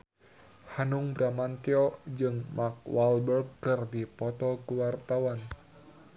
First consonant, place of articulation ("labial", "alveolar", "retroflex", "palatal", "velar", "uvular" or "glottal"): glottal